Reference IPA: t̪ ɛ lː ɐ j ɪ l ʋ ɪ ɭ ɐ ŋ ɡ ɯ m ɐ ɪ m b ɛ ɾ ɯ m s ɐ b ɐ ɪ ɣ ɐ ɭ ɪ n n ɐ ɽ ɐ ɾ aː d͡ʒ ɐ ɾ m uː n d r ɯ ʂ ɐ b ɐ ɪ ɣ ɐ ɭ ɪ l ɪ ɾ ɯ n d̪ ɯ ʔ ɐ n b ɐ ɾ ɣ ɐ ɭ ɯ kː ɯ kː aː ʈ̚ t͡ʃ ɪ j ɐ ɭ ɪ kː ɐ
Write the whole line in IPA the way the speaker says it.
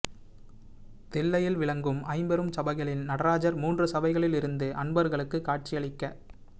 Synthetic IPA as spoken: t̪ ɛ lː ɐ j ɪ l ʋ ɪ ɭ ɐ ŋ ɡ ɯ m ɐ ɪ m b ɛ ɾ ɯ m s ɐ b ɐ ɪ ɣ ɐ ɭ ɪ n n ɐ ɽ ɐ ɾ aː d͡ʒ ɐ ɾ m uː n d r ɯ s ɐ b ɐ ɪ ɣ ɐ ɭ ɪ l ɪ ɾ ɯ n d̪ ɯ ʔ ɐ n b ɐ ɾ ɣ ɐ ɭ ɯ kː ɯ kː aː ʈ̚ t͡ʃ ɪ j ɐ ɭ ɪ kː ɐ